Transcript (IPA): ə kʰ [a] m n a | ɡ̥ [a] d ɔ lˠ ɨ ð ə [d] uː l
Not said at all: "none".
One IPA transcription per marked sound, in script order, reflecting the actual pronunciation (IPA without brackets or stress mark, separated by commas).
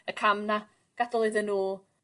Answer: a, a, n